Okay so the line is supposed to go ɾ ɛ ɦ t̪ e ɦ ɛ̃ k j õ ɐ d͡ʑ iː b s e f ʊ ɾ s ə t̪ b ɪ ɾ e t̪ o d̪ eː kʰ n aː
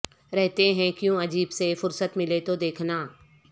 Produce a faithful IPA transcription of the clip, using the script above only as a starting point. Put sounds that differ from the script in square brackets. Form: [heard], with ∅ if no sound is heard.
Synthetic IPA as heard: ɾ ɛ ɦ t̪ e ɦ ɛ̃ k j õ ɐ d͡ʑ iː b s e f ʊ ɾ s ə t̪ [m] ɪ [l] e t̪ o d̪ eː kʰ n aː